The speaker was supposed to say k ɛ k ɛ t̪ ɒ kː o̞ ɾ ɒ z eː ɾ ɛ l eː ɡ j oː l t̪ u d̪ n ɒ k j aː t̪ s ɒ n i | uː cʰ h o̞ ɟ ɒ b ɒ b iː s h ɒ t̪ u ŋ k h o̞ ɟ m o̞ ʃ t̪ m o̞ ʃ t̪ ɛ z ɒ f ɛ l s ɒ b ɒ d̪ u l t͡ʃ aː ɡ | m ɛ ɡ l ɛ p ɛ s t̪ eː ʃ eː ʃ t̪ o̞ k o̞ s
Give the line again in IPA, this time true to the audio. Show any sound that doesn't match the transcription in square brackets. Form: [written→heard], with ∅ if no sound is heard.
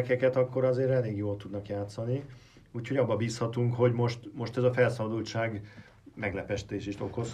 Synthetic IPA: k ɛ k ɛ t̪ ɒ kː o̞ ɾ ɒ z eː ɾ ɛ l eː ɡ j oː l t̪ u d̪ n ɒ k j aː t̪ s ɒ n i | uː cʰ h o̞ ɟ ɒ [b→bː] ɒ b iː s h ɒ t̪ u ŋ k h o̞ ɟ m o̞ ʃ t̪ m o̞ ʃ t̪ ɛ z ɒ f ɛ l s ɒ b ɒ d̪ u l t͡ʃ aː ɡ | m ɛ ɡ l ɛ p ɛ [s→ʃ] t̪ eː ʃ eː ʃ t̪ o̞ k o̞ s